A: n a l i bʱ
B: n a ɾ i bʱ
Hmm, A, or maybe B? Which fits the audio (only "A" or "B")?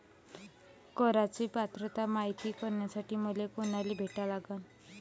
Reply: A